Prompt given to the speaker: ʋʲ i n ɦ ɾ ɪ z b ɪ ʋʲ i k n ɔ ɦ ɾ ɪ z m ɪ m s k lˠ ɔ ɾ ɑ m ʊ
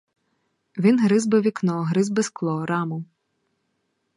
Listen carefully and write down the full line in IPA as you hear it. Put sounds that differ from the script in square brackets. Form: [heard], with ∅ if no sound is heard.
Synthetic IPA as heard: ʋʲ i n ɦ ɾ ɪ z b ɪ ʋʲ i k n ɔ ɦ ɾ ɪ z [b] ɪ [∅] s k lˠ ɔ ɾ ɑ m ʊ